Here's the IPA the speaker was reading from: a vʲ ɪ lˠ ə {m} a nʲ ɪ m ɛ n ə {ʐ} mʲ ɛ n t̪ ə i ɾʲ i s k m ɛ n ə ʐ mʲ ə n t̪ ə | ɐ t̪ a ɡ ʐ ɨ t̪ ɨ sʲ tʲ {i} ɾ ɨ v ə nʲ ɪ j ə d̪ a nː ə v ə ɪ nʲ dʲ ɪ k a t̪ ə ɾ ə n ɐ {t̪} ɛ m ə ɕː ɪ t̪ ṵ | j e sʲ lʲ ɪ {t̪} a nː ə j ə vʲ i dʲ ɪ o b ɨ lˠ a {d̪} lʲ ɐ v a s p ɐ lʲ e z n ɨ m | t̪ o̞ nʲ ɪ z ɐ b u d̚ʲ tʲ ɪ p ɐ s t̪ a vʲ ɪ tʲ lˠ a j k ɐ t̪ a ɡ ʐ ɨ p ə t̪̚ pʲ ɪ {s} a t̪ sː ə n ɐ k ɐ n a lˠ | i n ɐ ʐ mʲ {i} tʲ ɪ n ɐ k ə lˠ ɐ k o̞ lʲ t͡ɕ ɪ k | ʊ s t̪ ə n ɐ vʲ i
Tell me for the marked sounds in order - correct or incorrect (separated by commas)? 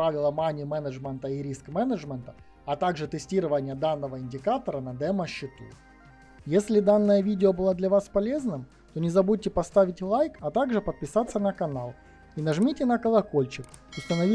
correct, correct, correct, incorrect, incorrect, correct, correct, correct